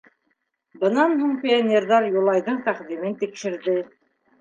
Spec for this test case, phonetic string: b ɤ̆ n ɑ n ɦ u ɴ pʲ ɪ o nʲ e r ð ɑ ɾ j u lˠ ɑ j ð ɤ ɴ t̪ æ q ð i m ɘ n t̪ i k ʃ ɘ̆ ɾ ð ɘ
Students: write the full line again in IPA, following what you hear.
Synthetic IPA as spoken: b ɤ̆ n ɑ n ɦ u ɴ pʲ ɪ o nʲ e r ð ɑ ɾ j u lˠ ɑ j ð ɤ ɴ t̪ æ q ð i m ɘ n t̪ i k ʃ ɘ̆ ɾ ð ɘ